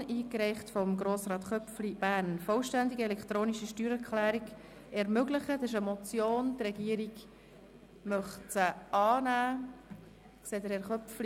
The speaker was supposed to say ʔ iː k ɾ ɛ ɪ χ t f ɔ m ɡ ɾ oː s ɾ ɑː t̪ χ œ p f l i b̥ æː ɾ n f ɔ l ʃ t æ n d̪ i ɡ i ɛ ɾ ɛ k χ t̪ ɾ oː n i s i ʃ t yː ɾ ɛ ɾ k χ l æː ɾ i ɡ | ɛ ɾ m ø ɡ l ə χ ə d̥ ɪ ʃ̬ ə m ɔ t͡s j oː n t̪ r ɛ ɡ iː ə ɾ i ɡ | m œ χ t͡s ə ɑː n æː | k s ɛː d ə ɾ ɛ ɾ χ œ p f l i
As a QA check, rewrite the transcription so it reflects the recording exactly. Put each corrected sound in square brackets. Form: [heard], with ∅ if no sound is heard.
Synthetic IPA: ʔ iː k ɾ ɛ ɪ χ t f ɔ m ɡ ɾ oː s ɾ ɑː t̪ χ œ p f l i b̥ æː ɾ n f ɔ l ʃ t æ n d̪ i ɡ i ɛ [l] ɛ k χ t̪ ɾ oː n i [ʃ] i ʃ t yː ɾ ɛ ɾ k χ l æː ɾ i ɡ | ɛ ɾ m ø ɡ l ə χ ə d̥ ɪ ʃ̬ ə m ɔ t͡s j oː n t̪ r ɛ ɡ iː ə ɾ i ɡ | m œ χ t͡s ə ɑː n æː | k s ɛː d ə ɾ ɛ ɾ χ œ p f l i